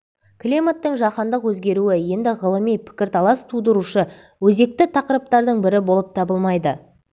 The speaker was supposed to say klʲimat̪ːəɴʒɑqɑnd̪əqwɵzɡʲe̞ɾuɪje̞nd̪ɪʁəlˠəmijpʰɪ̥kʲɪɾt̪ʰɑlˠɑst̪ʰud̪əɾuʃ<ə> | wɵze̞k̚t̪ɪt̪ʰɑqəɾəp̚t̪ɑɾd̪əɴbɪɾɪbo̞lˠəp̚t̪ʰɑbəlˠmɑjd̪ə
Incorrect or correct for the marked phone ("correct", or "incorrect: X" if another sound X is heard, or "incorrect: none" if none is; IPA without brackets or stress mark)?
correct